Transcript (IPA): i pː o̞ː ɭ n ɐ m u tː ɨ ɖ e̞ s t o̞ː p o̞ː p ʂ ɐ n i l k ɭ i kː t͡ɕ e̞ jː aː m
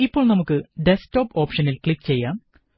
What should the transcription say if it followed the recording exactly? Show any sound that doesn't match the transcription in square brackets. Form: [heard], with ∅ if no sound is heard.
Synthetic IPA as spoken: i pː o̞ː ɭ n ɐ m u [kː] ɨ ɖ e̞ s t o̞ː p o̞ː p ʂ ɐ n i l k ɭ i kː t͡ɕ e̞ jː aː m